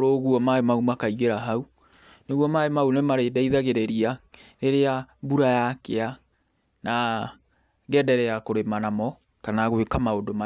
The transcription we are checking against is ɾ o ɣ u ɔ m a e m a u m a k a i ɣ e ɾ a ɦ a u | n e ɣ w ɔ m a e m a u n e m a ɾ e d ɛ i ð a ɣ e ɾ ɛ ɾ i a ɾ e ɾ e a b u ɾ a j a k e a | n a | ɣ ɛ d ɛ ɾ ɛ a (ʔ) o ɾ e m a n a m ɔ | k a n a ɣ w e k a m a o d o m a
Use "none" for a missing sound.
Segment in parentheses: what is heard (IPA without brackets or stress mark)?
k